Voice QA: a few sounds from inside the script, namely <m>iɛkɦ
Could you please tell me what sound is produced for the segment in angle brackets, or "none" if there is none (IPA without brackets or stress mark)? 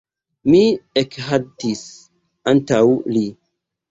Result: m